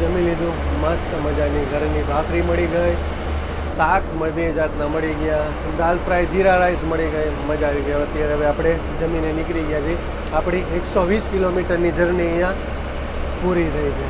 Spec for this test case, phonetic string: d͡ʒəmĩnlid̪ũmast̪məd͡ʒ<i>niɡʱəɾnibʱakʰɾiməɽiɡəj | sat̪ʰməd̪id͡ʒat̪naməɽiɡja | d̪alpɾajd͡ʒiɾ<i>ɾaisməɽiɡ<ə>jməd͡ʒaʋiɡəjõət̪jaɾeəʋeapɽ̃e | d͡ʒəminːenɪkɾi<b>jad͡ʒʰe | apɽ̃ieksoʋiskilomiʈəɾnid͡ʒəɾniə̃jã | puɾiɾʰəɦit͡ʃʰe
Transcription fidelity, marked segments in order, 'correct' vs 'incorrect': incorrect, incorrect, correct, incorrect

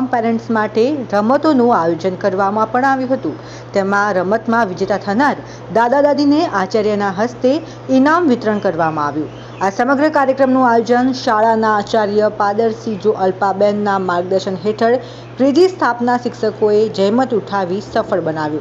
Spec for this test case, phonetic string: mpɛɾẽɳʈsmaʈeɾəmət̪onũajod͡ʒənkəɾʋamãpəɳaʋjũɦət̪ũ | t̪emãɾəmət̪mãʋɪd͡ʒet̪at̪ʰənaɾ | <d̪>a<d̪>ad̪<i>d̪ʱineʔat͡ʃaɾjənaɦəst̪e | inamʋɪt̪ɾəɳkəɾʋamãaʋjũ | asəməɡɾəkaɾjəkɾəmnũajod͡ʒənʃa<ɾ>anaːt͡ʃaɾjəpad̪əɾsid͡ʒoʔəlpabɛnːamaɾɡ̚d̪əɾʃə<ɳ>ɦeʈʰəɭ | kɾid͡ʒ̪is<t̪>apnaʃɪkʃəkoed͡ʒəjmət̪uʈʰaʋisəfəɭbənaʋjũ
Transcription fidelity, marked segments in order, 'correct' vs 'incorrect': correct, correct, incorrect, incorrect, incorrect, incorrect

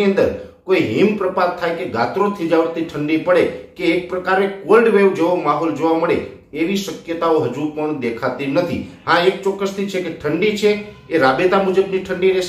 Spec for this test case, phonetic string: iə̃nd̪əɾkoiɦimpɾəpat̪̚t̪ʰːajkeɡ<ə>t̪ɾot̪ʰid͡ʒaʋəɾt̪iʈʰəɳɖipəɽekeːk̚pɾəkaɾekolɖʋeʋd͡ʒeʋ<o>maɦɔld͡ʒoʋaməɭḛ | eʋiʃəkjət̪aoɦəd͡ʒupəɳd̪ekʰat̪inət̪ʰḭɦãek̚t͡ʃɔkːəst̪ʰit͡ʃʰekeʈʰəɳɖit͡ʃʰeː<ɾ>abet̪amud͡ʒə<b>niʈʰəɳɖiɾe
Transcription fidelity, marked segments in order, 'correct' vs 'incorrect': incorrect, correct, correct, correct

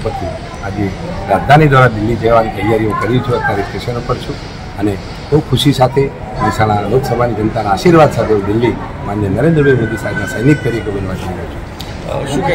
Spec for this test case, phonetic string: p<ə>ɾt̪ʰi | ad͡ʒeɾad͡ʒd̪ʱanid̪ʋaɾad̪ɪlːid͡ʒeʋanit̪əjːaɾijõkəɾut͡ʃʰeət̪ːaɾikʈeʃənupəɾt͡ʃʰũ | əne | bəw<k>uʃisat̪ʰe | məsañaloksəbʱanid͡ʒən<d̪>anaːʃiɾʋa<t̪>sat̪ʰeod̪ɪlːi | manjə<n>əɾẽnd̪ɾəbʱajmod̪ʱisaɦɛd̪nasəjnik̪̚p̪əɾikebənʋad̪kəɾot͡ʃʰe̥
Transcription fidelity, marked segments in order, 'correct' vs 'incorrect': correct, incorrect, incorrect, incorrect, correct

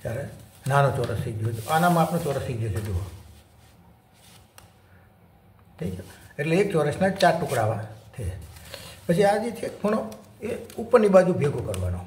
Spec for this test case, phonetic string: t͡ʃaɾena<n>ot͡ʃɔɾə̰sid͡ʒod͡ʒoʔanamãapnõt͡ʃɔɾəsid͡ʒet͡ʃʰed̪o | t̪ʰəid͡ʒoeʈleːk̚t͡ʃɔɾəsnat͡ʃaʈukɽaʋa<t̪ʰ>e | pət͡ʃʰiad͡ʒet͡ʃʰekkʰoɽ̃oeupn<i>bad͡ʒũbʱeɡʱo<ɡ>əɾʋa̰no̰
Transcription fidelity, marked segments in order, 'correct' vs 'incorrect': correct, correct, correct, incorrect

